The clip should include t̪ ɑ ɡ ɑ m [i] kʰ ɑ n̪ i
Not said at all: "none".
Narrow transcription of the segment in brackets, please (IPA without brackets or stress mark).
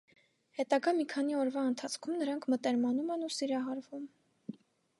i